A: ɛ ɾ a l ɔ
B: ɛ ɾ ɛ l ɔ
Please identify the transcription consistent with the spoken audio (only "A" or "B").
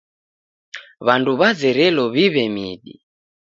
B